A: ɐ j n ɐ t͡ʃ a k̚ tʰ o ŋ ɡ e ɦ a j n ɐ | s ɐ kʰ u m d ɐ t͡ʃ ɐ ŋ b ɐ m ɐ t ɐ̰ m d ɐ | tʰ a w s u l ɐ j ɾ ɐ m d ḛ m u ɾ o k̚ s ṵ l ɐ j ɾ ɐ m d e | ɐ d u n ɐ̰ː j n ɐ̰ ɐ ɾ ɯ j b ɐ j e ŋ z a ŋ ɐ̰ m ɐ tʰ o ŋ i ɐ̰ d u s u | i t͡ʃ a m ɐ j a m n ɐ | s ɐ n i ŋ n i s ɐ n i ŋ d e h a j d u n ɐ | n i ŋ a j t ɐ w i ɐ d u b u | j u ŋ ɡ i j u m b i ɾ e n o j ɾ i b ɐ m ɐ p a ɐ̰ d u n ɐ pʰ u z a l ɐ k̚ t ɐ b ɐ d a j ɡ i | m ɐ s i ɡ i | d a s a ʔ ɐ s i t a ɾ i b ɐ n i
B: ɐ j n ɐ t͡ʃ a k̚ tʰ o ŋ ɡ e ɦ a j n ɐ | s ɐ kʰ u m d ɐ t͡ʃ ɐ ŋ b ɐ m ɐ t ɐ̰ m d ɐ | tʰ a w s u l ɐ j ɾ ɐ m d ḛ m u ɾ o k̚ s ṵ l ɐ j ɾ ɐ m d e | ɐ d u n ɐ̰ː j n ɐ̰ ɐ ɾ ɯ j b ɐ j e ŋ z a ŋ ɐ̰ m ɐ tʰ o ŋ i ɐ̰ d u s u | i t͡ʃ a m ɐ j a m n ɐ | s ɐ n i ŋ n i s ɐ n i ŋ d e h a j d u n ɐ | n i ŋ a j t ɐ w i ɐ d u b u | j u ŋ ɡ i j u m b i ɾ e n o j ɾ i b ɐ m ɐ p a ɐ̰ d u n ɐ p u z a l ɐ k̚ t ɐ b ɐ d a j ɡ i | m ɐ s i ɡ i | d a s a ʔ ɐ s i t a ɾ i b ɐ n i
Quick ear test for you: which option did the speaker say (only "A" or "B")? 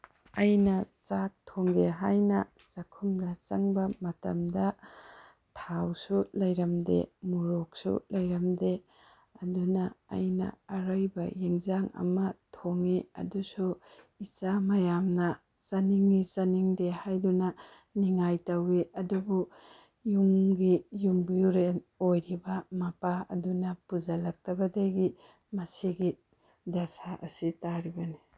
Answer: B